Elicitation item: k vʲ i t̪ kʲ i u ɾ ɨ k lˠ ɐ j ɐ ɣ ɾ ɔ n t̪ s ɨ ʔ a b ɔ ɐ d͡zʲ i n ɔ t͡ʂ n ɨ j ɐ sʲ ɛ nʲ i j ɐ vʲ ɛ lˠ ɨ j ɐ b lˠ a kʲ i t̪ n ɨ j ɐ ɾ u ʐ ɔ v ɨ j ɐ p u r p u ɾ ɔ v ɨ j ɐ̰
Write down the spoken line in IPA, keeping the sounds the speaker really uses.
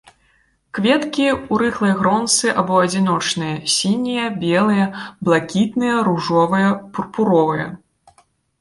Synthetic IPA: k vʲ ɛ t̪ kʲ i u ɾ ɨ x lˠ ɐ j ɐ ɣ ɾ ɔ n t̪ s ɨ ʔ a b ɔ ɐ d͡zʲ i n ɔ t͡ʂ n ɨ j ɐ sʲ i nʲ i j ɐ bʲ ɛ lˠ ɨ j ɐ b lˠ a kʲ i t̪ n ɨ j ɐ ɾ u ʐ ɔ v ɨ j ɐ p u r p u ɾ ɔ v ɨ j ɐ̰